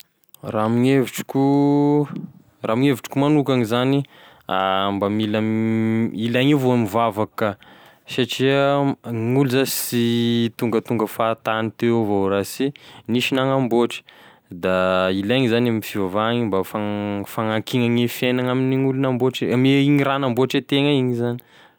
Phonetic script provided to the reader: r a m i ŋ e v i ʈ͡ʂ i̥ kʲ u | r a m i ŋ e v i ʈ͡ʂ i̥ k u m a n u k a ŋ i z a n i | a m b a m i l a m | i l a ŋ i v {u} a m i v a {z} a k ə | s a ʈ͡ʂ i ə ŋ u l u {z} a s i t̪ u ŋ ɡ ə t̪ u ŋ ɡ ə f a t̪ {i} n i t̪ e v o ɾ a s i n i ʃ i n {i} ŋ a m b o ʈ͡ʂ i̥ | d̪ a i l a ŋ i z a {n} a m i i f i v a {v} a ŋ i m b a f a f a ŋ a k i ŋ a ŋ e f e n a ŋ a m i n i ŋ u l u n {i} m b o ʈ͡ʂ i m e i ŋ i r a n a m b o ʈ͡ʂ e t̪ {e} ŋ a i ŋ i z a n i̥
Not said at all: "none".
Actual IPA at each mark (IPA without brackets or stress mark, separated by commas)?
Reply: o, v, z, a, a, n, v, a, e